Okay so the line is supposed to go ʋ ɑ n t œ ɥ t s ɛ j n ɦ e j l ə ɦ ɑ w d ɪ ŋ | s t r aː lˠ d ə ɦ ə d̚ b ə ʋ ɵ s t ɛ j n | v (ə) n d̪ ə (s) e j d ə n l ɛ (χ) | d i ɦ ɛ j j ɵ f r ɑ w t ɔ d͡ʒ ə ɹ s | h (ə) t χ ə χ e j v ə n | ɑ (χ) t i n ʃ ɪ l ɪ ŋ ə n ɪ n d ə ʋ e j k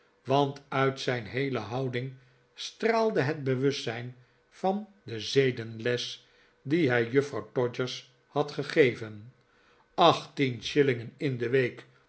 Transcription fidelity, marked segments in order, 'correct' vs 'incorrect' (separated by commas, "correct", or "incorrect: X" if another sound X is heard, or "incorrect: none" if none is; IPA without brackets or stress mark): incorrect: ɑ, incorrect: z, incorrect: s, incorrect: ɑ, correct